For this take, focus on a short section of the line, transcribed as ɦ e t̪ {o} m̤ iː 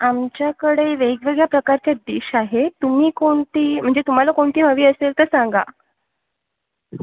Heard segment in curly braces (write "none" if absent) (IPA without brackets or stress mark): u